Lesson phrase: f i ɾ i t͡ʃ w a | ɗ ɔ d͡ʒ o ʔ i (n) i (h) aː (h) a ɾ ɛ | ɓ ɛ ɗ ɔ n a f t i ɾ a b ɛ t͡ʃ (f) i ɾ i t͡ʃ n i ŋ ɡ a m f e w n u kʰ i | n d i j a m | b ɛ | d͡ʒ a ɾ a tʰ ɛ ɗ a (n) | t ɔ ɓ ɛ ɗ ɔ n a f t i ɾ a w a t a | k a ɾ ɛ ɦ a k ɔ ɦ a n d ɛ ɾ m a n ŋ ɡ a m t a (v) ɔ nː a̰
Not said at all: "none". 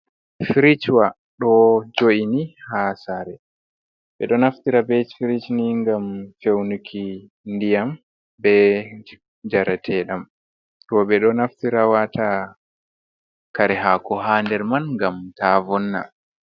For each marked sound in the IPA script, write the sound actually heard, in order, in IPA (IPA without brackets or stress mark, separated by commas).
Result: n, h, s, f, m, v